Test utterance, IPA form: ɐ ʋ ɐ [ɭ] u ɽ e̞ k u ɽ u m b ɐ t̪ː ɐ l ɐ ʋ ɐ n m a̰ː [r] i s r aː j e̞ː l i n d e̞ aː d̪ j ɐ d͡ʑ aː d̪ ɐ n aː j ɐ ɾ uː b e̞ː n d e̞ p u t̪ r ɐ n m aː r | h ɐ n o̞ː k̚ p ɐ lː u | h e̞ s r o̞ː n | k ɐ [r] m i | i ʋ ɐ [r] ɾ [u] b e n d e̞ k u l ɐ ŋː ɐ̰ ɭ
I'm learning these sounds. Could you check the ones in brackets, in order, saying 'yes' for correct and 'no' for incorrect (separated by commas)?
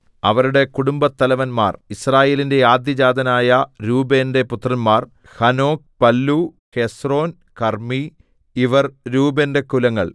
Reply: no, yes, yes, yes, no